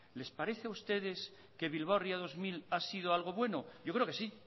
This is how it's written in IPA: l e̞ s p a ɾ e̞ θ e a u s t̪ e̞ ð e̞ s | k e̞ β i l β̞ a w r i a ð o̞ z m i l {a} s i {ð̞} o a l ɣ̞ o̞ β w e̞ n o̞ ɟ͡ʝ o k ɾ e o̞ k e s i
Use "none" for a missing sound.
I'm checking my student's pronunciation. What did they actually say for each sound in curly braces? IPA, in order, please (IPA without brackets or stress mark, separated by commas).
a, ð̞